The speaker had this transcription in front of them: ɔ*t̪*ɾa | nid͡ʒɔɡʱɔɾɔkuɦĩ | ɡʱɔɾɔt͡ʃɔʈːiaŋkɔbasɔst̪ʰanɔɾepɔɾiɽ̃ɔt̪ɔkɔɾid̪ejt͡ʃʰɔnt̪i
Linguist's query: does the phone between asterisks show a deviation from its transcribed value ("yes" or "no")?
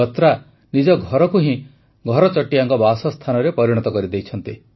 no